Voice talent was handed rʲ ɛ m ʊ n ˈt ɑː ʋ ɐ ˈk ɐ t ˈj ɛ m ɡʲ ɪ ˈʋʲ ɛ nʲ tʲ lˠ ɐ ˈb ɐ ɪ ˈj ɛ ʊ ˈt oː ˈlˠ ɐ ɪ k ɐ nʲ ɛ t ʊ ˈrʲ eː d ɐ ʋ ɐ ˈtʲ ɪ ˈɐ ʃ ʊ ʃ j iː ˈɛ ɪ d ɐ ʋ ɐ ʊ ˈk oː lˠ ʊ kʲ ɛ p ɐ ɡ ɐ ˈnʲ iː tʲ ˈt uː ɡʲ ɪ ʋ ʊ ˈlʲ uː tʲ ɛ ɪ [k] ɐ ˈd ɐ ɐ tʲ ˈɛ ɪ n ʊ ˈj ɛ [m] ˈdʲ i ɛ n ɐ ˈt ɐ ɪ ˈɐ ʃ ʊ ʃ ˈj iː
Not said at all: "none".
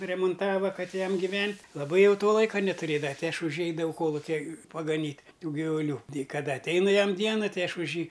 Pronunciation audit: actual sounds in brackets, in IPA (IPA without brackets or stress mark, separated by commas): k, m